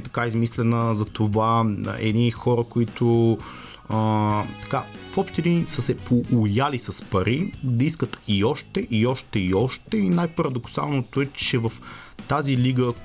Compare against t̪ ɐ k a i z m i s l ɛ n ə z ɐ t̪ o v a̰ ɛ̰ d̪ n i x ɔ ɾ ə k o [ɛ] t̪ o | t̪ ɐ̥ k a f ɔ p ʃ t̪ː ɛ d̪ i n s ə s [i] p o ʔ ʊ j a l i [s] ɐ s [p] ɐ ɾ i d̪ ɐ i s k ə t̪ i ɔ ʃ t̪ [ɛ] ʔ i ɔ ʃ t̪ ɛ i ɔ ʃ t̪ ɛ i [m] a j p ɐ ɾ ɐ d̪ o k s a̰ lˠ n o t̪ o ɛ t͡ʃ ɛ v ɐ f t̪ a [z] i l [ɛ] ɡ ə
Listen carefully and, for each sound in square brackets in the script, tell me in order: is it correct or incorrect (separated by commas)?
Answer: incorrect, incorrect, correct, correct, correct, incorrect, correct, incorrect